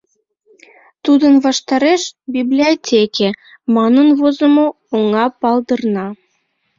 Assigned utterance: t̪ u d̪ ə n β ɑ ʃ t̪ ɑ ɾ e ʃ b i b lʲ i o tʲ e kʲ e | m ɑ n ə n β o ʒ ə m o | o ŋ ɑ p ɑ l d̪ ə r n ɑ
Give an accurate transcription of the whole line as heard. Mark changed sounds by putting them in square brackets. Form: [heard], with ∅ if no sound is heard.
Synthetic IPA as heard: t̪ u d̪ ə n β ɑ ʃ t̪ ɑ ɾ e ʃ b i b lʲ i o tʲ e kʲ e | m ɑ n ə n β o [z] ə m o | o ŋ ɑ p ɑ l d̪ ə r n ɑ